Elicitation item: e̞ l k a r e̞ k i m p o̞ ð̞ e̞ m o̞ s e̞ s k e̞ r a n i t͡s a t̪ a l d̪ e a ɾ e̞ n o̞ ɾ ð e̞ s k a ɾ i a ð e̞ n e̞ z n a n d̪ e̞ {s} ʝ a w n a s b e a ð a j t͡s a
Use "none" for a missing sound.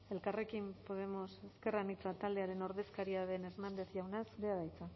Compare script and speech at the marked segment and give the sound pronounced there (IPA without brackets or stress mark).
θ